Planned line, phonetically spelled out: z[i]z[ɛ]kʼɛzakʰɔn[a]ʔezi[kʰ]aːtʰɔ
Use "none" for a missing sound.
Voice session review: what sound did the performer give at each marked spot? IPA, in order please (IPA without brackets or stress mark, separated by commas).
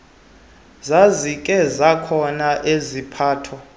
a, i, a, pʰ